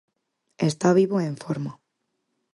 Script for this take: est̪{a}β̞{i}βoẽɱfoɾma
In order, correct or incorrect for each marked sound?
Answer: correct, correct

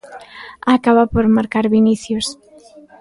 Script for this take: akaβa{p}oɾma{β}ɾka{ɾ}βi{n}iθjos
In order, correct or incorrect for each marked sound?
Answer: correct, incorrect, correct, correct

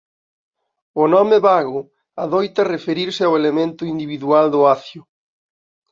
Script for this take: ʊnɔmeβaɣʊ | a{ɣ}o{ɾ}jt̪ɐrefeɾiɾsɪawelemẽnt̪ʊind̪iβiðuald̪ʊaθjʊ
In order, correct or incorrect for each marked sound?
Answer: incorrect, incorrect

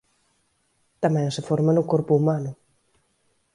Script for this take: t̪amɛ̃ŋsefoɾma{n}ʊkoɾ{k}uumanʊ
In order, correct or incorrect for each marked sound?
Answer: correct, incorrect

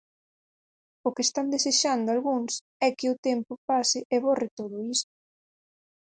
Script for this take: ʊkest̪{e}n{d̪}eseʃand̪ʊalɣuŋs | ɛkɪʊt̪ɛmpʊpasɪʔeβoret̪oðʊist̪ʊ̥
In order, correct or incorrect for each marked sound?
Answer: incorrect, correct

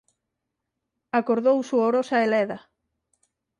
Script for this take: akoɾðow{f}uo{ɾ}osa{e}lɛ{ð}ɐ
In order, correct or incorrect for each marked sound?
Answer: incorrect, correct, correct, correct

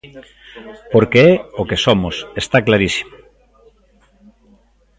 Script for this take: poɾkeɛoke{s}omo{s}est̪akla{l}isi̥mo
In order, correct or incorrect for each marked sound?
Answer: correct, correct, incorrect

